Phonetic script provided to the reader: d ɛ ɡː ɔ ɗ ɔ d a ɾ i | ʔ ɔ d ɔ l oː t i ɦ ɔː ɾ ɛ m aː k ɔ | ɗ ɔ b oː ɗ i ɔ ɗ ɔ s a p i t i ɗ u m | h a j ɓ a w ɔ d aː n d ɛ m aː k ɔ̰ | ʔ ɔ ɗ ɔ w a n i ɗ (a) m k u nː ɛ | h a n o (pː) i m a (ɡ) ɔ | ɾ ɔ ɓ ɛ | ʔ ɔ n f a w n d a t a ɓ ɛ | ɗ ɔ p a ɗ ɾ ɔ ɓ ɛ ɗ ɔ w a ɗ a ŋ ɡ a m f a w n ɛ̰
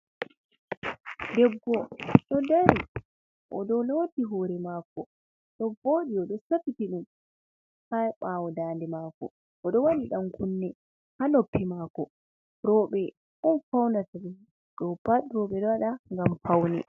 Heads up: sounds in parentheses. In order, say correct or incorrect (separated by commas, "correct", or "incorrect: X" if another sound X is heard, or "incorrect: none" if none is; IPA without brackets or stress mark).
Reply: correct, correct, incorrect: k